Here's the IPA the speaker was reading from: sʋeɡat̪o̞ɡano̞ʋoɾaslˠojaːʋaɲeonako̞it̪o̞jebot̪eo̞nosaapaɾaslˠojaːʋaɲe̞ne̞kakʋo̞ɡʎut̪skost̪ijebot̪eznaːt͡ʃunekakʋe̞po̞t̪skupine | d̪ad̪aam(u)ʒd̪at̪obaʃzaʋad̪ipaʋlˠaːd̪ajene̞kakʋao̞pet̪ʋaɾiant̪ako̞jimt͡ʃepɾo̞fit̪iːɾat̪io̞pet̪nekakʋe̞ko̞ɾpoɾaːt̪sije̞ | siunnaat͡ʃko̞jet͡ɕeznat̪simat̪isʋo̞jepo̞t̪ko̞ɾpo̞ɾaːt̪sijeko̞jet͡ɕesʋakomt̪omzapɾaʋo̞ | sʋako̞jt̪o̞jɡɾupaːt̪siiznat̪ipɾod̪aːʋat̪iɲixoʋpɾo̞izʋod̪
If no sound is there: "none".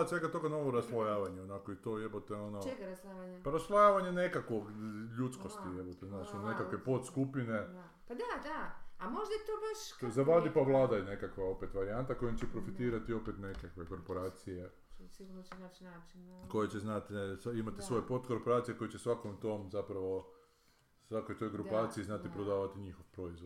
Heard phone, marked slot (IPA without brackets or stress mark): o